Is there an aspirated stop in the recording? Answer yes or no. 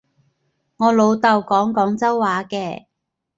no